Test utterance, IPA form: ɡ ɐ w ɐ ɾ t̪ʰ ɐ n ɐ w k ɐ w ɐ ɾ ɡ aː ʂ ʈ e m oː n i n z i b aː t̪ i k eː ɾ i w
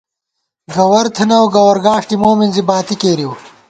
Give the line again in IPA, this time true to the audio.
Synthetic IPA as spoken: ɡ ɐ w ɐ ɾ t̪ʰ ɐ n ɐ w ɡ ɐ w ɐ ɾ ɡ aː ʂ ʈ i m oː m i n z i b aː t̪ i k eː ɾ i w